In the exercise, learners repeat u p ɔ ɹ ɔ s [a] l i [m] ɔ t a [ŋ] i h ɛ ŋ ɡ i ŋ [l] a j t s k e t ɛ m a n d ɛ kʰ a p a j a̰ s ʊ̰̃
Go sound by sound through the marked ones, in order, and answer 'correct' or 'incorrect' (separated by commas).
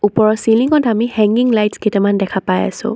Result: incorrect, incorrect, incorrect, correct